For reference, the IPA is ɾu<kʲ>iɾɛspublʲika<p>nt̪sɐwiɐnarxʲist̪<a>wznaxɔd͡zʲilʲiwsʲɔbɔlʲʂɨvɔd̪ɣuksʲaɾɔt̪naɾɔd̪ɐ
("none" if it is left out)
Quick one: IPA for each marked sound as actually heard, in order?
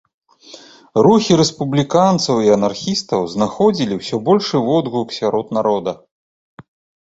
xʲ, none, ɐ

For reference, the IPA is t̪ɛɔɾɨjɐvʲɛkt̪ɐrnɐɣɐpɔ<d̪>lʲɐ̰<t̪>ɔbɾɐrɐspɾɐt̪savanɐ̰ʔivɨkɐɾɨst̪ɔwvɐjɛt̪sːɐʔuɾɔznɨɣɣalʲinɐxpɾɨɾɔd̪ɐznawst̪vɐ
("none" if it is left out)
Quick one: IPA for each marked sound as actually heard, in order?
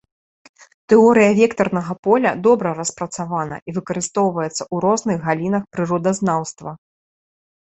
none, d̪

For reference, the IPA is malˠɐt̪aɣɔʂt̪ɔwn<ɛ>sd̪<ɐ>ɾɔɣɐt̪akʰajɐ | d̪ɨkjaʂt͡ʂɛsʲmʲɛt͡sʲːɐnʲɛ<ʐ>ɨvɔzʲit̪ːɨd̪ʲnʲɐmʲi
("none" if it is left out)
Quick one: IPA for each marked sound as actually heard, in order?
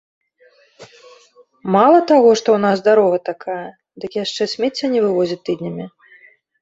a, a, v

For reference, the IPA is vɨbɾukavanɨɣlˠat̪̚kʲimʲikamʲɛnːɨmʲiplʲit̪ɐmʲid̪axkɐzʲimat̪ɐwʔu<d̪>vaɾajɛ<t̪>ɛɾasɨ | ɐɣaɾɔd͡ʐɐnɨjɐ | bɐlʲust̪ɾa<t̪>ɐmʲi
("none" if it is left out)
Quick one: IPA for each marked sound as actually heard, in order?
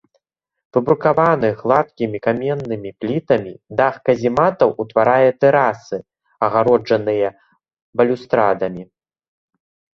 t̪, t̪, d̪

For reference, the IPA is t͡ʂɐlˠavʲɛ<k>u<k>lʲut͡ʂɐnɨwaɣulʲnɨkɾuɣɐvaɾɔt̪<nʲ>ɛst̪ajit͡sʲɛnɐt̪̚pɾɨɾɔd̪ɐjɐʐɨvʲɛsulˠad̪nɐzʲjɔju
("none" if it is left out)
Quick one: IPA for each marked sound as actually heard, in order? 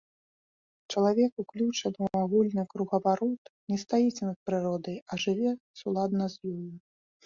k, k, nʲ

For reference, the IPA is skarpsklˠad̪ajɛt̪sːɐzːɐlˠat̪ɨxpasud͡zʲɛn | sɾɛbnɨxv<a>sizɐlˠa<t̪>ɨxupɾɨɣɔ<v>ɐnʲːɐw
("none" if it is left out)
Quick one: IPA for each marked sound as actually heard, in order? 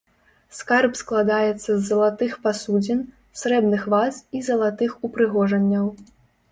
a, t̪, ʐ

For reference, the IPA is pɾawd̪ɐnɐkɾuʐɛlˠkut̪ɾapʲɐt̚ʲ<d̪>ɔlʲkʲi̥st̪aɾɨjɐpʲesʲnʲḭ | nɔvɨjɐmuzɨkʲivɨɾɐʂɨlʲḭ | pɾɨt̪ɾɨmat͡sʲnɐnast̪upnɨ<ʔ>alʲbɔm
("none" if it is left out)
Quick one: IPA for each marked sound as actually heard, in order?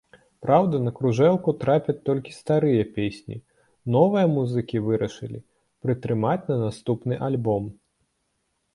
t̪, ʔ

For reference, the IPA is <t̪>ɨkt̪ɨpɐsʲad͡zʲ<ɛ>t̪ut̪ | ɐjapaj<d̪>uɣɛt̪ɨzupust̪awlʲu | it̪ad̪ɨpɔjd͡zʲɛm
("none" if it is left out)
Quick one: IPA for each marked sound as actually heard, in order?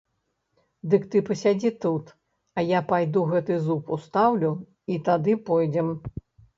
d̪, i, d̪

